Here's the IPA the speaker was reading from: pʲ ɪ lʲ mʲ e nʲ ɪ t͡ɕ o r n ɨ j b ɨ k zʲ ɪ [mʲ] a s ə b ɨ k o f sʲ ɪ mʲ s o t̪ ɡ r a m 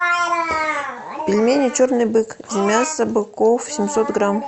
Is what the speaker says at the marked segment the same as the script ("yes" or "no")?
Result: yes